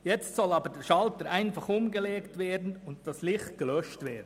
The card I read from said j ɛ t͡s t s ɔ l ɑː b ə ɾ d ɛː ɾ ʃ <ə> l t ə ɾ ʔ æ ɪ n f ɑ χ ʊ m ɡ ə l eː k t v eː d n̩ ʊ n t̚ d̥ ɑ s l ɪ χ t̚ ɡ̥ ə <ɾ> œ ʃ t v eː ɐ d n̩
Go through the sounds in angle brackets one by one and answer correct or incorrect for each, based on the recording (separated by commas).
incorrect, incorrect